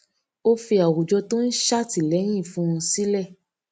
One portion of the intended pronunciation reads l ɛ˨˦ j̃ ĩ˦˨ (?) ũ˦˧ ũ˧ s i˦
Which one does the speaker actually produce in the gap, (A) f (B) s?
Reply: A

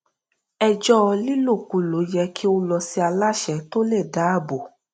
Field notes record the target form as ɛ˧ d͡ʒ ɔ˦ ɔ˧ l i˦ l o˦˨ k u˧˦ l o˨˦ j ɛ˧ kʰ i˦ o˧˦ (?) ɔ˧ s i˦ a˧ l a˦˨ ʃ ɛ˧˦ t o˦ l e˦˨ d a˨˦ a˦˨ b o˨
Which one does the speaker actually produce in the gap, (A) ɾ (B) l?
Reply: B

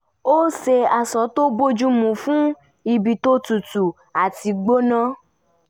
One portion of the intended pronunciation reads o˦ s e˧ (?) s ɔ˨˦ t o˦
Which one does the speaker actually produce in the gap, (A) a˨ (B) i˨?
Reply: A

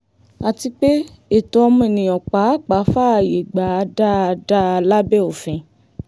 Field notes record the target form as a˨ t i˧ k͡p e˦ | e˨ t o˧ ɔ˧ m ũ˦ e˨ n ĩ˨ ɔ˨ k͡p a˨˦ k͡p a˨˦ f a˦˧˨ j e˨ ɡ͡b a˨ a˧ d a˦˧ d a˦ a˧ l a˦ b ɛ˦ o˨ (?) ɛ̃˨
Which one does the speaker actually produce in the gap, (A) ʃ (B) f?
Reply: B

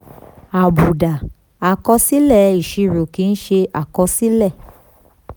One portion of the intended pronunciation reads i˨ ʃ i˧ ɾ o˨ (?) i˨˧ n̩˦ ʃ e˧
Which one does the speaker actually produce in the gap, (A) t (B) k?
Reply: B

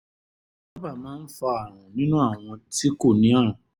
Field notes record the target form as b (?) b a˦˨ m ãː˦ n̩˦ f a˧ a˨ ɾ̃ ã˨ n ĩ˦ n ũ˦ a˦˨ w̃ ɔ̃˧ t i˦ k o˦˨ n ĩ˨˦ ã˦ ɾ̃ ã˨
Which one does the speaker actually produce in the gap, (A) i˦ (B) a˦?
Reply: B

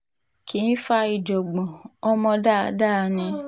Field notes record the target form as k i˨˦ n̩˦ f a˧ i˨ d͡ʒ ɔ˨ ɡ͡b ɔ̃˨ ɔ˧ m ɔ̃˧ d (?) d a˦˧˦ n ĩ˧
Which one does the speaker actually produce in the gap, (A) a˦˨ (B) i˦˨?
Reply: A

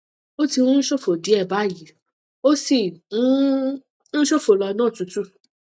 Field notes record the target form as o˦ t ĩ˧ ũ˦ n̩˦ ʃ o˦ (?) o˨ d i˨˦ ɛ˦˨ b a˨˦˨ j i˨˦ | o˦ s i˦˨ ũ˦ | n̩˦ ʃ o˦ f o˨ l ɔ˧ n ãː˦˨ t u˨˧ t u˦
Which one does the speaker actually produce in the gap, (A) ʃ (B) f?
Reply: B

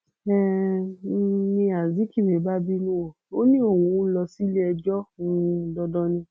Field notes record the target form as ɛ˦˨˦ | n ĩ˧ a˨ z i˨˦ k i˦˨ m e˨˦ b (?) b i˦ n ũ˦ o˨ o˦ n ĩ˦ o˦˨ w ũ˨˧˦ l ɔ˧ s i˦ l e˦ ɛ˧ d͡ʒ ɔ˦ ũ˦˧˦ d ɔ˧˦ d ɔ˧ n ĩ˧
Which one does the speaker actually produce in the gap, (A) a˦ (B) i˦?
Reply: A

